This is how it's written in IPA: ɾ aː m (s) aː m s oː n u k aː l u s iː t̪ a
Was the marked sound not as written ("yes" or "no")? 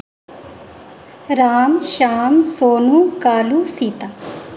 yes